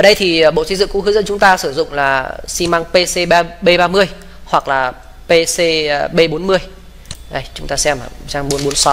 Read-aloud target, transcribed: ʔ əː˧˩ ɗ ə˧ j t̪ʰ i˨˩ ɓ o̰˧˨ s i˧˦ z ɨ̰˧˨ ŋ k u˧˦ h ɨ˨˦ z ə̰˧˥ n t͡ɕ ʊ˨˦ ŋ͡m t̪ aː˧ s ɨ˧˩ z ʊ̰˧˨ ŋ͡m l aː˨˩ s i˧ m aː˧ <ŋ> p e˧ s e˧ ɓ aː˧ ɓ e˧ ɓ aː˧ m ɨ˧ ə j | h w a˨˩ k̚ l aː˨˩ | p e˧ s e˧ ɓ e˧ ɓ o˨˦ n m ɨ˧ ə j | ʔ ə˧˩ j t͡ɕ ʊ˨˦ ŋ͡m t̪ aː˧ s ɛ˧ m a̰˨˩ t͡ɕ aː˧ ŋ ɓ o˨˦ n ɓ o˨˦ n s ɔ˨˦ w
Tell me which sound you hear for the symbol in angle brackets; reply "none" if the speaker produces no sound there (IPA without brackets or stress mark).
ŋ